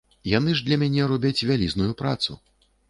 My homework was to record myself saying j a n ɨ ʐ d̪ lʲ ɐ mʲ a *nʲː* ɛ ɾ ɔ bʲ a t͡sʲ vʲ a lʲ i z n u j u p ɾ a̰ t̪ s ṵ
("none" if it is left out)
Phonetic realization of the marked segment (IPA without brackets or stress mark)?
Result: nʲ